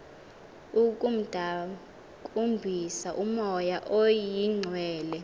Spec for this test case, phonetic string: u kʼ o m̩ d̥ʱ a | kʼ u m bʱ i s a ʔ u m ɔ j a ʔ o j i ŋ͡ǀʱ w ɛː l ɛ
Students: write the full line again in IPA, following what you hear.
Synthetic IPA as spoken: u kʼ u m̩ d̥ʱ a | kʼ u m bʱ i s a ʔ u m ɔ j a ʔ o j i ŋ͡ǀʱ w ɛː l ɛ